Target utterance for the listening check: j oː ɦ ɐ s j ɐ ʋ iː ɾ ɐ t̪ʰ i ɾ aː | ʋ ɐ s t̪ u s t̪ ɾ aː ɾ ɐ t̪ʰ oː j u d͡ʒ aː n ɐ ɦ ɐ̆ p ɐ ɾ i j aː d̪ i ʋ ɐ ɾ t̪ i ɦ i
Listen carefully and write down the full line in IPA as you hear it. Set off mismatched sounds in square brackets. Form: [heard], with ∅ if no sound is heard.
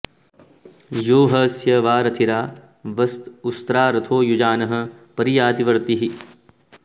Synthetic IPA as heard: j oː ɦ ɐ s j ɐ ʋ [aː] ɾ ɐ t̪ʰ i ɾ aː | ʋ ɐ s t̪ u s t̪ ɾ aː ɾ ɐ t̪ʰ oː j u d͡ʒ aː n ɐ ɦ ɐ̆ p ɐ ɾ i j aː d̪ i ʋ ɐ ɾ t̪ i ɦ i